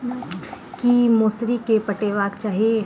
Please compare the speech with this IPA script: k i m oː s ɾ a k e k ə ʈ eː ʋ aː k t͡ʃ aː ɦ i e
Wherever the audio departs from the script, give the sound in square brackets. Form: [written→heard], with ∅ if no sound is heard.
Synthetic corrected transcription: k i m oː s ɾ [a→i] k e [k→p] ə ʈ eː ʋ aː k t͡ʃ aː ɦ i e